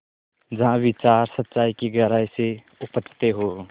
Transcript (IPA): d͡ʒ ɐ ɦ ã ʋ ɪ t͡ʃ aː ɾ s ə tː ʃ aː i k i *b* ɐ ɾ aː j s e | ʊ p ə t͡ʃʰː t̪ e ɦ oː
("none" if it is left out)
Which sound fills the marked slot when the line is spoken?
ɡ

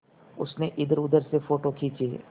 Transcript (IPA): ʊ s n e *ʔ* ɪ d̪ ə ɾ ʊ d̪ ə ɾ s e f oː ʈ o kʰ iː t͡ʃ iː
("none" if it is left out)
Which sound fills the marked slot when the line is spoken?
ʔ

